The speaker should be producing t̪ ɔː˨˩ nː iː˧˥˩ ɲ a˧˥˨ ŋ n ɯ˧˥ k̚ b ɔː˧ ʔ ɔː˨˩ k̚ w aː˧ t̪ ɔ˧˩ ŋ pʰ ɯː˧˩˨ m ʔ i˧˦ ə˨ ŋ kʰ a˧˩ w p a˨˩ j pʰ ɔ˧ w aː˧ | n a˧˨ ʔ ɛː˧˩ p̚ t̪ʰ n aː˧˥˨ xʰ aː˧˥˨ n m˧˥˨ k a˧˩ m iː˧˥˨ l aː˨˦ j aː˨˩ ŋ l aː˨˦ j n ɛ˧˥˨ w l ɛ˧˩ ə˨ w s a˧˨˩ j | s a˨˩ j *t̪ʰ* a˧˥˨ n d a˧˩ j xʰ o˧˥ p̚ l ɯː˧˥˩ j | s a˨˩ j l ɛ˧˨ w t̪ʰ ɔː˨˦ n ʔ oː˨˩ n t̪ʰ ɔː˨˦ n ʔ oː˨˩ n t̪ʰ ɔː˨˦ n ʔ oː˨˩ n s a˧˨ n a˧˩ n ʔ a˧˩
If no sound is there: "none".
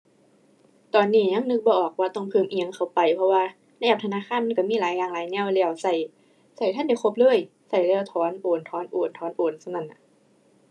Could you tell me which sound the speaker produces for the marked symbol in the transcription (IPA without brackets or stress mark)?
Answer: t̪ʰ